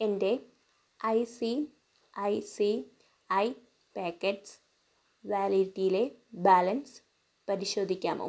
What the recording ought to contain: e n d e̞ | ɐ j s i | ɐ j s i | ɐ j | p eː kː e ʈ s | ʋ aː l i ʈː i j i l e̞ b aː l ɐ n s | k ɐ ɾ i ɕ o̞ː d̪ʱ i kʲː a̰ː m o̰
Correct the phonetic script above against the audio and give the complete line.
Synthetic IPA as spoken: e n d e̞ | ɐ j s i | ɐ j s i | ɐ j | p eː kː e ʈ s | ʋ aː l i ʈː i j i l e̞ b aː l ɐ n s | p ɐ ɾ i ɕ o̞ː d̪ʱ i kʲː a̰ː m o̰